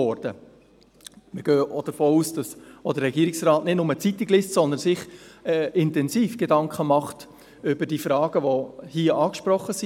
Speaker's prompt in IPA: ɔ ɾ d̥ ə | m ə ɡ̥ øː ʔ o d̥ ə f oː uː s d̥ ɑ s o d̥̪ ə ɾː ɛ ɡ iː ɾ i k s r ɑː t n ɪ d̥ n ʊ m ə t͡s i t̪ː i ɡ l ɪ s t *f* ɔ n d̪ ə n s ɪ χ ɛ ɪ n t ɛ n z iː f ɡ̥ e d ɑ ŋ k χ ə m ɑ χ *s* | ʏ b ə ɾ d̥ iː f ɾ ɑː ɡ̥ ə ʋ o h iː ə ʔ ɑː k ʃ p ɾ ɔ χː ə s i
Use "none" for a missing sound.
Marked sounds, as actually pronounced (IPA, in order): s, t

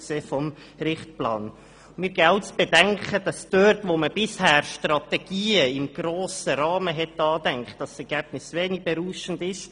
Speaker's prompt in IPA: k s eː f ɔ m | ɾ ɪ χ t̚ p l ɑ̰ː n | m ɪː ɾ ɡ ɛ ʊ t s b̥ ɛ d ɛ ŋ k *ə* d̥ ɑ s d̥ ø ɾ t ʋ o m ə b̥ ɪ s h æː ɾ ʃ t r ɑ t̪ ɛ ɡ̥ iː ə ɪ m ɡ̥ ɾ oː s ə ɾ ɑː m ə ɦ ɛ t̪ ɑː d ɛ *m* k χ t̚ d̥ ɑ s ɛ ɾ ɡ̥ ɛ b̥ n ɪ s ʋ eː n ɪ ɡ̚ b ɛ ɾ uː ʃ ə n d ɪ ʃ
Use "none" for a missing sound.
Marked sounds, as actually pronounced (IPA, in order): ə, ŋ

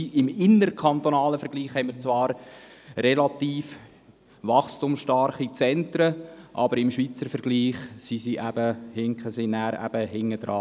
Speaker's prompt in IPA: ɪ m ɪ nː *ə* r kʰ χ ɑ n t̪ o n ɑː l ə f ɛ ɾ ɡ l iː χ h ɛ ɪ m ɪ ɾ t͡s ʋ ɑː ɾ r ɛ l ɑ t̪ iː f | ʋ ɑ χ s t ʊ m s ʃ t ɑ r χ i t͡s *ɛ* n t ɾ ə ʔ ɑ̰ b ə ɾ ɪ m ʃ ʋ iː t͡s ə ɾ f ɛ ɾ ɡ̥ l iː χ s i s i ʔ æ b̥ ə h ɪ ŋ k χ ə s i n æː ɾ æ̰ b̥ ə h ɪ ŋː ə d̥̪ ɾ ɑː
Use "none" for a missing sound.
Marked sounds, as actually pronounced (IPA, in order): ə, ɛ

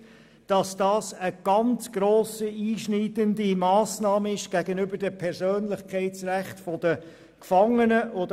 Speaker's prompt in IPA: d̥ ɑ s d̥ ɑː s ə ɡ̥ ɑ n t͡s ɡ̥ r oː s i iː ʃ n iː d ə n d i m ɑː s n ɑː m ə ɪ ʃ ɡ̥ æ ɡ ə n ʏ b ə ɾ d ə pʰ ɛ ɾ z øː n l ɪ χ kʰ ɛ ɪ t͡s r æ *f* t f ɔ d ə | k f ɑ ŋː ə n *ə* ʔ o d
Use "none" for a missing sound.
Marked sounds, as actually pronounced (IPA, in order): χ, ə

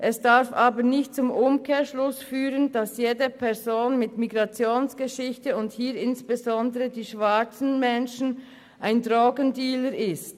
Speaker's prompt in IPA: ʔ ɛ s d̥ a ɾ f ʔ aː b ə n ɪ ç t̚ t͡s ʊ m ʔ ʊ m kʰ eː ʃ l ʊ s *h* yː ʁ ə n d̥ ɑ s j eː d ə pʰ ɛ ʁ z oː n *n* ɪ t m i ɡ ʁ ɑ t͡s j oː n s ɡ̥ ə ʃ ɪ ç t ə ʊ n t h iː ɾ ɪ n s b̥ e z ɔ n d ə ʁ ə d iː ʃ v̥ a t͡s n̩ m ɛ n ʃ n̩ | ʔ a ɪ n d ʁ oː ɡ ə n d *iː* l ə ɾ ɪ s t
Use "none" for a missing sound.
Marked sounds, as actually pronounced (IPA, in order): f, m, iː

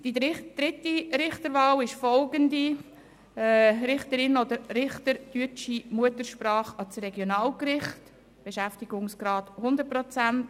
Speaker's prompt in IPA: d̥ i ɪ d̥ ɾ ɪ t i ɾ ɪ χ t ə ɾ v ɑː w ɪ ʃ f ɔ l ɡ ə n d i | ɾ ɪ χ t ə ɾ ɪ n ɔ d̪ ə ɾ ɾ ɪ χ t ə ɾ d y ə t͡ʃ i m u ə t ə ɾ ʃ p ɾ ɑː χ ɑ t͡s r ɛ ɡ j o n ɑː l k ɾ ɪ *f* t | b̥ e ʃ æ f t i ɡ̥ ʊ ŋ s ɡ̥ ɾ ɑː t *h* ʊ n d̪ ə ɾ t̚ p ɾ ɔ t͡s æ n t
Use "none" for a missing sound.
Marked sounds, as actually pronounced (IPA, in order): χ, h

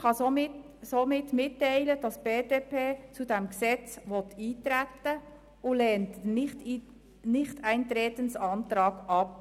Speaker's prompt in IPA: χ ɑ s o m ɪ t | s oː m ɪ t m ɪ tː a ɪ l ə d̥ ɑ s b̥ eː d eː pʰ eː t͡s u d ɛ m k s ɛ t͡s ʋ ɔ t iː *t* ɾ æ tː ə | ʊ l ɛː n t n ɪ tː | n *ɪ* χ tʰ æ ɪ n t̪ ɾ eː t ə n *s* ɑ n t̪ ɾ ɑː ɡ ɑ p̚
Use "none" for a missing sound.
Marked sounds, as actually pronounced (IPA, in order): t, ɪ, s

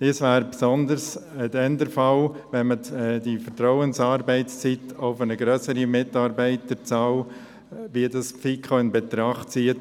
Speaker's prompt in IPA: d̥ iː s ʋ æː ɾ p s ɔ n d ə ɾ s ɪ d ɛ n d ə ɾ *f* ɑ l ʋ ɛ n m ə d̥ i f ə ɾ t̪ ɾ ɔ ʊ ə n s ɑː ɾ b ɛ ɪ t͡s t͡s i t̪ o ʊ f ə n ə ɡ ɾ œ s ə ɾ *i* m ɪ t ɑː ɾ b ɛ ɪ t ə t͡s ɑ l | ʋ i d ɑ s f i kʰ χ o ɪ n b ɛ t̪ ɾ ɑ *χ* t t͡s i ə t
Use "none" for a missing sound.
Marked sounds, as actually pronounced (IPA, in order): f, i, χ

